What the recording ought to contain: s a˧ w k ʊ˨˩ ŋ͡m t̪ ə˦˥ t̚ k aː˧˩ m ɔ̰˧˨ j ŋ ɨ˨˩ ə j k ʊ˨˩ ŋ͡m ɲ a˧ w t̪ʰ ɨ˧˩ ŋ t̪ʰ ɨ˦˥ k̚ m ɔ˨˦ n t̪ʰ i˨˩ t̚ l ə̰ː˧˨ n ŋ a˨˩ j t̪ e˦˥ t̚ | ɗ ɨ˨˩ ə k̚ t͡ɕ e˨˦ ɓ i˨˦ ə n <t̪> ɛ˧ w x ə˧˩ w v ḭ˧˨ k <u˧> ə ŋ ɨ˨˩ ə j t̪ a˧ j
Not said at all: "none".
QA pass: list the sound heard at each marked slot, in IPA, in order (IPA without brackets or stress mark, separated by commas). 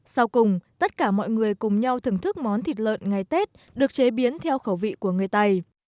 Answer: t̪ʰ, u˧˩